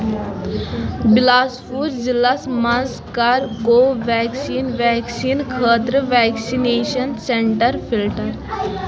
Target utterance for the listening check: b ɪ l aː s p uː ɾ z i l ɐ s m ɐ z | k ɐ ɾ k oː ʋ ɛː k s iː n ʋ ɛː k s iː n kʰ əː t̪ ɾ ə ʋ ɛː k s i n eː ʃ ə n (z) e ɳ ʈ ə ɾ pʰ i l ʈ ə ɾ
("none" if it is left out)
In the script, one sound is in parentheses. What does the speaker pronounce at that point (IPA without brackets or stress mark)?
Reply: s